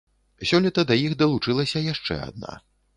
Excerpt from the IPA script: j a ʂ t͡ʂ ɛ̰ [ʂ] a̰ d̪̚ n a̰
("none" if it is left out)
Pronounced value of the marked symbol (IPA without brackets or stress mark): none